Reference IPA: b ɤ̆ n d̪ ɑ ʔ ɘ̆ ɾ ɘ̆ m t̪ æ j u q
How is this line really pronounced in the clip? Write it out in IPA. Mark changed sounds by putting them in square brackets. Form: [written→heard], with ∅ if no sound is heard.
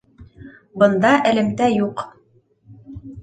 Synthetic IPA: b ɤ̆ n d̪ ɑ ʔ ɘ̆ [ɾ→l] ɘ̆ m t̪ æ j u q